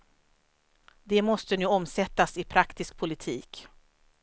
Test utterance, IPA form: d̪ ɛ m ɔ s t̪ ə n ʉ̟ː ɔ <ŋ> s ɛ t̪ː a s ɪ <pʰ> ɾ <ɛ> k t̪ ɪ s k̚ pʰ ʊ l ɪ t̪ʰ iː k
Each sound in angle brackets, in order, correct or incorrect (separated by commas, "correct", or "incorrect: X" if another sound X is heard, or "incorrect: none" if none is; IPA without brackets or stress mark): incorrect: m, correct, incorrect: a